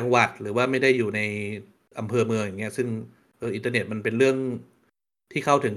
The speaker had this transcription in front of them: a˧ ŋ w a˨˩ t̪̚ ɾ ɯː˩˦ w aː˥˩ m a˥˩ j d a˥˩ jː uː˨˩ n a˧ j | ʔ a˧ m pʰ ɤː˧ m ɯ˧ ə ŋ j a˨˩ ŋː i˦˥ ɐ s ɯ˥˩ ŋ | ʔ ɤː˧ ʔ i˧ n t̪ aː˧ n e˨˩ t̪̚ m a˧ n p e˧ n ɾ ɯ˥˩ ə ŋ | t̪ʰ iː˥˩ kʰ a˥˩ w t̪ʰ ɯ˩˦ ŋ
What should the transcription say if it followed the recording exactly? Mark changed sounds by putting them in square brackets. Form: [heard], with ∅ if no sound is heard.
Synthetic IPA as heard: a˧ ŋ w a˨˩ t̪̚ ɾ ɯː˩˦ w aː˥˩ m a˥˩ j d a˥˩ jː uː˨˩ n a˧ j | ʔ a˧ m pʰ ɤː˧ m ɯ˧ ə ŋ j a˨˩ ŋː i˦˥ ɐ s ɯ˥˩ ŋ | ʔ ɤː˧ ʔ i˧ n t̪ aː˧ n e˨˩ t̪̚ m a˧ n p e˧ n ɾ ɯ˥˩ ə ŋ | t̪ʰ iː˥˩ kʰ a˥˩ w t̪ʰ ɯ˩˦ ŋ